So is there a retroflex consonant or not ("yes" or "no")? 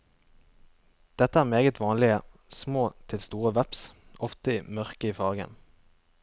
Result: no